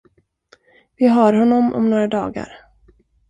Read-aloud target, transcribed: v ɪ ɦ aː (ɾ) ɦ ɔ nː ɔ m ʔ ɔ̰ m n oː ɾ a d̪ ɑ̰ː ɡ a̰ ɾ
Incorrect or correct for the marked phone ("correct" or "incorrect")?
correct